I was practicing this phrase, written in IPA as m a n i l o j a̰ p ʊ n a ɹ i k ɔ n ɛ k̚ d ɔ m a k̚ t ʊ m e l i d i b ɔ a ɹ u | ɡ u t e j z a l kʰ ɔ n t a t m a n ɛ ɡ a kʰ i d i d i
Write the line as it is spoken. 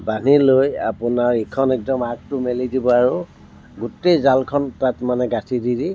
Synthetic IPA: b a n i l o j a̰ p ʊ n a ɹ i kʰ ɔ n ɛ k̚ d ɔ m a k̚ t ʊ m e l i d i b ɔ a ɹ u | ɡ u t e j z a l kʰ ɔ n t a t m a n ɛ ɡ a tʰ i d i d i